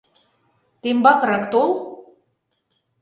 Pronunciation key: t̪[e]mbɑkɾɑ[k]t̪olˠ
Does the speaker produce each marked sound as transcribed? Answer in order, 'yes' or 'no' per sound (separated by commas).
yes, yes